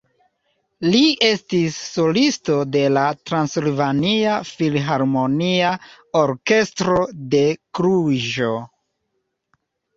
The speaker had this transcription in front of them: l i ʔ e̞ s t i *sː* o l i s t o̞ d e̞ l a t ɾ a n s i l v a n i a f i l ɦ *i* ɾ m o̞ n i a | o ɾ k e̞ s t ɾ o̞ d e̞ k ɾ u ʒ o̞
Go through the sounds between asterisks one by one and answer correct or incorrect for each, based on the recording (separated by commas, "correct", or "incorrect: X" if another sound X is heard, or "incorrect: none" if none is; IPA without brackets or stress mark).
correct, incorrect: a